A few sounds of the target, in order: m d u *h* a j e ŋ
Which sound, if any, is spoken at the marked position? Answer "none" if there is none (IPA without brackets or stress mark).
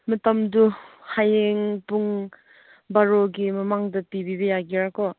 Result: h